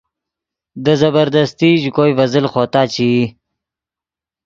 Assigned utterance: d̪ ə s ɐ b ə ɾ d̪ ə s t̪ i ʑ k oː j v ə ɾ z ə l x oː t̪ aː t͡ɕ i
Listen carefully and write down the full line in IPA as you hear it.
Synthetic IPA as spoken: d̪ ə z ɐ b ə ɾ d̪ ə s t̪ i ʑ k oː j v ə z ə l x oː t̪ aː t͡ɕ i